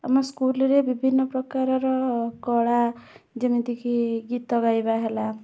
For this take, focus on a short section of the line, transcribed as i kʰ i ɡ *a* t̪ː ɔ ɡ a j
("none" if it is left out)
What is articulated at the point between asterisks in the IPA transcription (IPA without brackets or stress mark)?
i